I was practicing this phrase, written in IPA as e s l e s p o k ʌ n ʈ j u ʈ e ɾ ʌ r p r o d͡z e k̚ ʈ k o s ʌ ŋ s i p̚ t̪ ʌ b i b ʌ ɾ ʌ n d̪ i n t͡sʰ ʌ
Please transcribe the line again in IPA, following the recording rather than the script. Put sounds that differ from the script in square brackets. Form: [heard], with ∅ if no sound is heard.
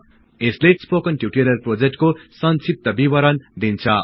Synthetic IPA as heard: e s l e s p o k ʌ n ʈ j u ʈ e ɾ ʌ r p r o d͡z e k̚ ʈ k o s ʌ [n] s i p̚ t̪ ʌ b i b ʌ ɾ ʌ n d̪ i n t͡sʰ ʌ